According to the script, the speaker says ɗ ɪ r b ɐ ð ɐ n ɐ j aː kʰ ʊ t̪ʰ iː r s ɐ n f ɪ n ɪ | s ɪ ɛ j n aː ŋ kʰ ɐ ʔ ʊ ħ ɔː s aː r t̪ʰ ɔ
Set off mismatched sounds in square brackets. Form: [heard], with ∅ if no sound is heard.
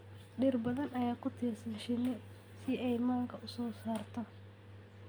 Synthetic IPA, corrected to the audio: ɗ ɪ r b ɐ ð ɐ n ɐ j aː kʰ ʊ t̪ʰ iː r s ɐ n [ʃ] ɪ n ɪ | s ɪ ɛ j [m] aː ŋ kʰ ɐ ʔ ʊ [s] ɔː s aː r t̪ʰ ɔ